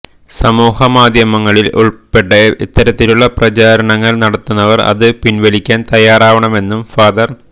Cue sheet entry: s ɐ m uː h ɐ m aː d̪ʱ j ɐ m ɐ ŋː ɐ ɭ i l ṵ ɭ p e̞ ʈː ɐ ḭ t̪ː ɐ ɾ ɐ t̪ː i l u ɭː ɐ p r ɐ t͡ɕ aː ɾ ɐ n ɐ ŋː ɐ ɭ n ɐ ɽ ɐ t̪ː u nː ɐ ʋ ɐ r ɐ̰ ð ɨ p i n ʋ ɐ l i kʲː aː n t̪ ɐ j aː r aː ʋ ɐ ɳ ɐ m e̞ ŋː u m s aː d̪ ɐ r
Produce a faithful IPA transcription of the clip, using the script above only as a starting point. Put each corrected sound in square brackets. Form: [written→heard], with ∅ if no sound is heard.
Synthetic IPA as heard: s ɐ m uː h ɐ m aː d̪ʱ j ɐ m ɐ ŋː ɐ ɭ i l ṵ ɭ p e̞ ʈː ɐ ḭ t̪ː ɐ ɾ ɐ t̪ː i l u ɭː ɐ p r ɐ t͡ɕ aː ɾ ɐ [n→ɳ] ɐ ŋː ɐ ɭ n ɐ ɽ ɐ t̪ː u nː ɐ ʋ ɐ r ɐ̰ ð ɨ p i n ʋ ɐ l i kʲː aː n t̪ ɐ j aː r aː ʋ ɐ ɳ ɐ m e̞ [ŋː→nː] u m [s→f] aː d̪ ɐ r